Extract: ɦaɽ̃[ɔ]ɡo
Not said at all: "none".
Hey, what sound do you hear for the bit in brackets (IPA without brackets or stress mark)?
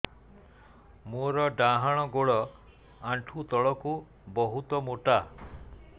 ɔ